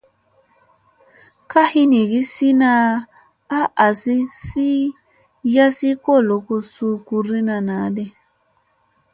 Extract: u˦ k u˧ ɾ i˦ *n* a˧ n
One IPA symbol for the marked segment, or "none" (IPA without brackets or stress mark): n